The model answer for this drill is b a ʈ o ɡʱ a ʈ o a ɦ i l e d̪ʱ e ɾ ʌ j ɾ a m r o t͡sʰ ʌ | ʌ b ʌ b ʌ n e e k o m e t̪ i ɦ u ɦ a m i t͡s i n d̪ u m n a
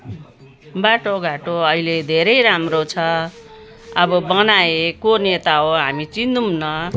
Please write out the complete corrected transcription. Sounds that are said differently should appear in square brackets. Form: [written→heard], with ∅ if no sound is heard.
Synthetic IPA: b a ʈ o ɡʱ a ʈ o [a→ʌ] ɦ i l e d̪ʱ e ɾ ʌ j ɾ a m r o t͡sʰ ʌ | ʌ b ʌ b ʌ n [e→a] e k o [m→n] e t̪ [i→a] ɦ [u→o] ɦ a m i t͡s i n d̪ u m n [a→ʌ]